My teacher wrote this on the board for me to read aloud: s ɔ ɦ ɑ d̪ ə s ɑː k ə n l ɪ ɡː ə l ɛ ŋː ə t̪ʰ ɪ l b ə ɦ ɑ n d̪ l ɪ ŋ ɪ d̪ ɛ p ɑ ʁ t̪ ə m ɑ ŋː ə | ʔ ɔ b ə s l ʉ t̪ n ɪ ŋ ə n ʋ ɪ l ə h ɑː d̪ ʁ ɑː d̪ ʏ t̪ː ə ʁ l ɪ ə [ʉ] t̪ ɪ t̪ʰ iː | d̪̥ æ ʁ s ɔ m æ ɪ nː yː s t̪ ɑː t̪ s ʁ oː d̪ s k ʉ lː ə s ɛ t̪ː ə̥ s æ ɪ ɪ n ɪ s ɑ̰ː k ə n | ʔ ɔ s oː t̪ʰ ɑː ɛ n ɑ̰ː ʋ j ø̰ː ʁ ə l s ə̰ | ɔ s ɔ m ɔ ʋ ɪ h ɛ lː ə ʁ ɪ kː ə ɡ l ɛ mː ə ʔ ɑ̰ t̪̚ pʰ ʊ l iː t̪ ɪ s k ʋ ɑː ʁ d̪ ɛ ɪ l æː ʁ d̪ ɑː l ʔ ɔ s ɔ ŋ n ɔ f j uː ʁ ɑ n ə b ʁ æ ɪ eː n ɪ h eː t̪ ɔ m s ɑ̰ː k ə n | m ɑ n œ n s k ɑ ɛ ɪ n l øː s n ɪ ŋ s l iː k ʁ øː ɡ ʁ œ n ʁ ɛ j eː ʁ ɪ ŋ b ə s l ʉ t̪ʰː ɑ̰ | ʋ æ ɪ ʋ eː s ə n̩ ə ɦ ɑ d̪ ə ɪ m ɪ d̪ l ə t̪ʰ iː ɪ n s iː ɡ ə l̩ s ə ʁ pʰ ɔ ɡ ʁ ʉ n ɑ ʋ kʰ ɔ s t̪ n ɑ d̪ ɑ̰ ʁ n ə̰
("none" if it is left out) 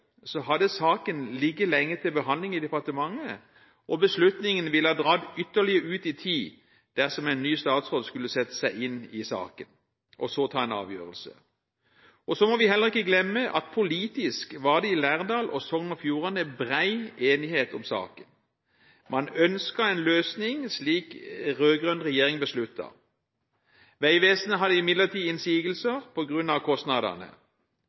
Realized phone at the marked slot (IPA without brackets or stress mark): ʉː